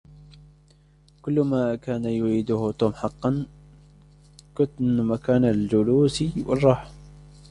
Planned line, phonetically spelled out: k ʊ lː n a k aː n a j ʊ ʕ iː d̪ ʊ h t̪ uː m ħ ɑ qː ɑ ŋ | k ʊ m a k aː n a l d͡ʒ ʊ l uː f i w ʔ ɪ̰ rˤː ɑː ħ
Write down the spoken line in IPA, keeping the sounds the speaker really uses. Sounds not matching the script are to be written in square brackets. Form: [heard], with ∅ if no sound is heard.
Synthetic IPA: k ʊ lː [m] a k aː n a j ʊ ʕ iː d̪ ʊ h t̪ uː m ħ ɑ qː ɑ [n] | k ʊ m a k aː n a l d͡ʒ ʊ l uː [s] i w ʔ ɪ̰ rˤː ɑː ħ